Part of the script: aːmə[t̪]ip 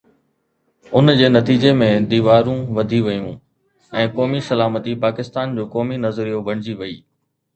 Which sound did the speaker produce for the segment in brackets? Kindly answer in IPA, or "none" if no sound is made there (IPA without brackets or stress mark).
t̪